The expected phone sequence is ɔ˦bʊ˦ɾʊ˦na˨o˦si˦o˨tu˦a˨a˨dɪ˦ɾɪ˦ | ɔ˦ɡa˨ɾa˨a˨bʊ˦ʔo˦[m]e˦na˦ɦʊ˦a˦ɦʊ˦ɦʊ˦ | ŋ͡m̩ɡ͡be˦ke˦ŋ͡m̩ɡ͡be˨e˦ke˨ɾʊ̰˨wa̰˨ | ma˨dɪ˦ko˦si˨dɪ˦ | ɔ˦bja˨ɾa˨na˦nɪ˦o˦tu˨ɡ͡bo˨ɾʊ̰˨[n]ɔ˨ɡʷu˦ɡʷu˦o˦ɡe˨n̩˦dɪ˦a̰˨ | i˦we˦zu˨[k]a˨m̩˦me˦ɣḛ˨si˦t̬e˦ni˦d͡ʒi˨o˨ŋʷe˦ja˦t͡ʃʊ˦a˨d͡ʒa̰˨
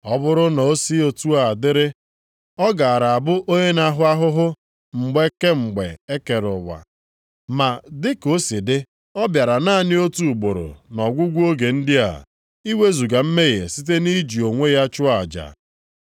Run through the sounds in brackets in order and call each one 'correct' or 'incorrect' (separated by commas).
incorrect, correct, incorrect